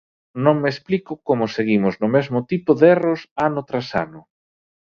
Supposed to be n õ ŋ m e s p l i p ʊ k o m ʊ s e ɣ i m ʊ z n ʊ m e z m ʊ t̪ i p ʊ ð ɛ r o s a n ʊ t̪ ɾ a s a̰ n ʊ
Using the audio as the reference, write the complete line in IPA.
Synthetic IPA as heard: n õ ŋ m e s p l i k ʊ k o m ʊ s e ɣ i m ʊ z n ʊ m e z m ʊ t̪ i p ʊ ð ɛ r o s a n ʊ t̪ ɾ a s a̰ n ʊ